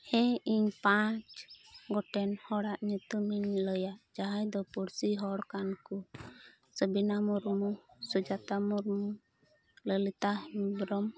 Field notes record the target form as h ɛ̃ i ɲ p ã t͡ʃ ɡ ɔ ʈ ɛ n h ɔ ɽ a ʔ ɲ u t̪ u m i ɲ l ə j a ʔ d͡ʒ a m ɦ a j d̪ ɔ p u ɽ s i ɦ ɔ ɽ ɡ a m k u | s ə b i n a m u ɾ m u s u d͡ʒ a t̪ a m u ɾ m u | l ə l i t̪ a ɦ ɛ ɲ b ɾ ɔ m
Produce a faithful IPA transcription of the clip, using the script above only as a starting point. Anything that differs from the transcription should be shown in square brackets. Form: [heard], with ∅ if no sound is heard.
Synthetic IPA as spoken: h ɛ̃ i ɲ p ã t͡ʃ ɡ ɔ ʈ ɛ n h ɔ ɽ a ʔ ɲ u t̪ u m i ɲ l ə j a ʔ d͡ʒ a [∅] ɦ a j d̪ ɔ p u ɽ s i ɦ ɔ ɽ [k] a [n] k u | s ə b i n a m u ɾ m u s u d͡ʒ a t̪ a m u ɾ m u | l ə l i t̪ a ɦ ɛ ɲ b ɾ ɔ m